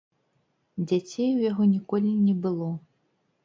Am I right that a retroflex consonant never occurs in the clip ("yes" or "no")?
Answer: yes